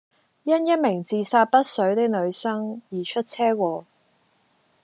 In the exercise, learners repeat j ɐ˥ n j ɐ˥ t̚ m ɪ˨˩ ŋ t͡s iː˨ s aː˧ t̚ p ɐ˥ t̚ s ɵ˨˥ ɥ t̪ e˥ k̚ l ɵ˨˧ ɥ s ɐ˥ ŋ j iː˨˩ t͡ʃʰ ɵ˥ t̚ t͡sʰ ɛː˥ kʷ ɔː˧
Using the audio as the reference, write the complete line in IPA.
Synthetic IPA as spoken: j ɐ˥ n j ɐ˥ t̚ m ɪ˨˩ ŋ t͡s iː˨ s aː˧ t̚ p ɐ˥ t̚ s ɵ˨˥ ɥ t̪ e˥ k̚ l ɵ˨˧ ɥ s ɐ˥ ŋ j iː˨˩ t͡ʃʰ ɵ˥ t̚ t͡sʰ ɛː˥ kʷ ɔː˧